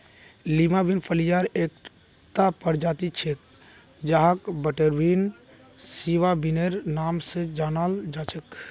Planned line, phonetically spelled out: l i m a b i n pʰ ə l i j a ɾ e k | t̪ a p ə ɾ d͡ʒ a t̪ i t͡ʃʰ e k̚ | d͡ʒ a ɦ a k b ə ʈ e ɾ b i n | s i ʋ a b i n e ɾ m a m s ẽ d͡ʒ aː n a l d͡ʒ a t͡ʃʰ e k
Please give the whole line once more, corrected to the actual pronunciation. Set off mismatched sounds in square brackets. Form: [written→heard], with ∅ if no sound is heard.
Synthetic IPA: l i m a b i n pʰ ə l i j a ɾ e k | t̪ a p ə ɾ d͡ʒ a t̪ i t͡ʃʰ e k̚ | d͡ʒ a ɦ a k b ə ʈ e ɾ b i n | s i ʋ a b i n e ɾ [m→n] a m s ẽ d͡ʒ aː n a l d͡ʒ a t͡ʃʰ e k

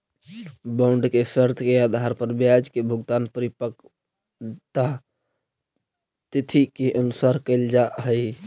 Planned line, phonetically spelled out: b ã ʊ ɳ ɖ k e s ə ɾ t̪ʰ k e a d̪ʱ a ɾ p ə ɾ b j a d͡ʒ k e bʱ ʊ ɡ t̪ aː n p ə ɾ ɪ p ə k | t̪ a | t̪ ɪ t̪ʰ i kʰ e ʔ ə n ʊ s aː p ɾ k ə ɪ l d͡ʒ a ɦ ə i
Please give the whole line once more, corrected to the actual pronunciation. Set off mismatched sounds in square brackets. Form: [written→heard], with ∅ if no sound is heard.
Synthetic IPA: b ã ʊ ɳ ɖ k e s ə ɾ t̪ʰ k e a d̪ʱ a ɾ p ə ɾ b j a d͡ʒ k e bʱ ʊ ɡ t̪ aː n p ə ɾ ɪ p ə k | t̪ a | t̪ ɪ t̪ʰ i [kʰ→k] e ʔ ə n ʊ s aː [p→∅] ɾ k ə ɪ l d͡ʒ a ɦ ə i

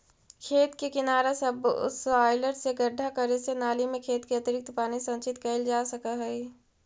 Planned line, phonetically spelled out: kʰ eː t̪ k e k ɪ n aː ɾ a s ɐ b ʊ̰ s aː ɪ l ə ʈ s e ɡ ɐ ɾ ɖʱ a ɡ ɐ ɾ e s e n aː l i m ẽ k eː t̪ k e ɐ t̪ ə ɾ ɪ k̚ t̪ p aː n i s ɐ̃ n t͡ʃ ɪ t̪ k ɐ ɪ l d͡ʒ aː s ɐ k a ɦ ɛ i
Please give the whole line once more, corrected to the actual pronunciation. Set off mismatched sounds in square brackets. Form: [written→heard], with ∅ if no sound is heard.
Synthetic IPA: kʰ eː t̪ k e k ɪ n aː ɾ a s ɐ b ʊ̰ s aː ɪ l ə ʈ s e ɡ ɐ ɾ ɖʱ a [ɡ→k] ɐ ɾ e s e n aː l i m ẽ [k→kʰ] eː t̪ k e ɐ t̪ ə ɾ ɪ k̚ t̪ p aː n i s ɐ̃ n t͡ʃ ɪ t̪ k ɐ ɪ l d͡ʒ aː s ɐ k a ɦ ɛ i

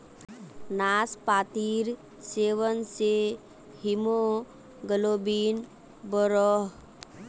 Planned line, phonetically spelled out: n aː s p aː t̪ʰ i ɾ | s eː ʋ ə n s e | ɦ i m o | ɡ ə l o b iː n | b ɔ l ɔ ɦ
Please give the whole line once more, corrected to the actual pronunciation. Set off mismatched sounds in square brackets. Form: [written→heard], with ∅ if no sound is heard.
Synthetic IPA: n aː s p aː [t̪ʰ→t̪] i ɾ | s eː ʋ ə n s e | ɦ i m o | ɡ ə l o b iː n | b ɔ [l→ɾ] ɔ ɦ

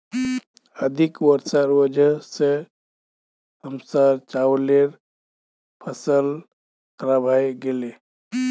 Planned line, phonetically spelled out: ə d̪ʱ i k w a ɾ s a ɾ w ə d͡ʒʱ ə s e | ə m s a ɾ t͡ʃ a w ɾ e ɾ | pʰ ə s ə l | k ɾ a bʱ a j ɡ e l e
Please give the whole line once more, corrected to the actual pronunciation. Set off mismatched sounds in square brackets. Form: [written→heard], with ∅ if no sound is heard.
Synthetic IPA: ə d̪ʱ i k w [a→ə] ɾ s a ɾ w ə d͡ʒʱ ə s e | ə m s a ɾ t͡ʃ a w [ɾ→l] e ɾ | pʰ ə s ə l | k ɾ a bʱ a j ɡ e l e

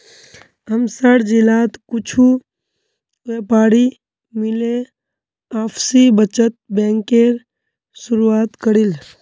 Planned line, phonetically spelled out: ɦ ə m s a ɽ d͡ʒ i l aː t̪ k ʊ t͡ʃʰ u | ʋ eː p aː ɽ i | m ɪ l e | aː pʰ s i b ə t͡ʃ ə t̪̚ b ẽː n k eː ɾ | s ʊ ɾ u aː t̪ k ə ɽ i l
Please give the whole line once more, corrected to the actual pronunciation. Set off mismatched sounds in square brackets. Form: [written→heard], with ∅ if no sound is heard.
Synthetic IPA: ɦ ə m s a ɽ d͡ʒ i l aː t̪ k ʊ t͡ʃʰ u | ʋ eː p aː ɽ i | m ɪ l e | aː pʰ s i b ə t͡ʃ ə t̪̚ b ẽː [n→ŋ] k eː ɾ | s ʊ ɾ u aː t̪ k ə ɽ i l

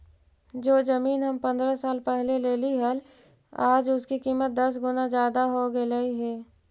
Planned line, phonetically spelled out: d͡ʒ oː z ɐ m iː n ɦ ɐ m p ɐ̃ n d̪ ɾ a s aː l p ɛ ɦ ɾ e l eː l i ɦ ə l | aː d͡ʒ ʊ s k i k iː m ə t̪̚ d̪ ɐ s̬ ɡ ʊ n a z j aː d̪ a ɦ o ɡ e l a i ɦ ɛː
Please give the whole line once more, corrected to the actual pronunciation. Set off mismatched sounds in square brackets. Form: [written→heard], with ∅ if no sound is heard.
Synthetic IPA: d͡ʒ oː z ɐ m iː n ɦ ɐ m p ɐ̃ n d̪ ɾ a s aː l p ɛ ɦ [ɾ→l] e l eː l i ɦ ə l | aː d͡ʒ ʊ s k i k iː m ə t̪̚ d̪ ɐ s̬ ɡ ʊ n a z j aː d̪ a ɦ o ɡ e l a i ɦ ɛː

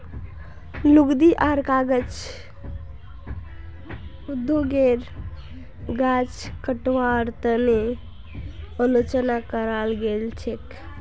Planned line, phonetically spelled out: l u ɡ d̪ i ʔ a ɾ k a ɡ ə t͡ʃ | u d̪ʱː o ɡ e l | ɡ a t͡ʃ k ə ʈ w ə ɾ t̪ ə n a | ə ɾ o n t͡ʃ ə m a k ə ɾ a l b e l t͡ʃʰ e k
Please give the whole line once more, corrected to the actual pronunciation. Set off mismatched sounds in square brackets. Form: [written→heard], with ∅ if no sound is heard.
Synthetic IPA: l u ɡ d̪ i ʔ a ɾ k a ɡ ə t͡ʃ | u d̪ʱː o ɡ e [l→ɾ] | ɡ a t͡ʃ k ə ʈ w [ə→a] ɾ t̪ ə n [a→e] | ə [ɾ→l] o [n→∅] t͡ʃ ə [m→n] a k ə ɾ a l [b→ɡ] e l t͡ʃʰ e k

